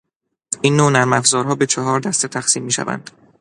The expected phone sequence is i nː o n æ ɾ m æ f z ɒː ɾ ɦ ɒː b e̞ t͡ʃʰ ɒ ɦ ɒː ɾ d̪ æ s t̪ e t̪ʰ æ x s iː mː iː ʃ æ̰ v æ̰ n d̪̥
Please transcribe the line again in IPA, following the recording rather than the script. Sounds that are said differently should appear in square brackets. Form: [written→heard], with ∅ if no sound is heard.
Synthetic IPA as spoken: i nː o n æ ɾ m æ f z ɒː ɾ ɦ ɒː b e̞ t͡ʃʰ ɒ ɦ ɒː ɾ d̪ æ s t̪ e t̪ʰ æ x s iː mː iː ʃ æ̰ v æ̰ n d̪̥